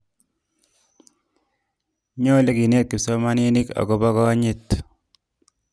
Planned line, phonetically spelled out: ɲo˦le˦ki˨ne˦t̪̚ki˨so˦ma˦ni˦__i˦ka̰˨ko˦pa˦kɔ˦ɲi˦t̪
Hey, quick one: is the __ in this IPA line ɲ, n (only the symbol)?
n